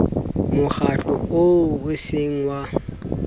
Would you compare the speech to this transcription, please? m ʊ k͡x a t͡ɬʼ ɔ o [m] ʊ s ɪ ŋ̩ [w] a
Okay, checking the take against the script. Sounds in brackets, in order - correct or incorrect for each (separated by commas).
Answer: incorrect, correct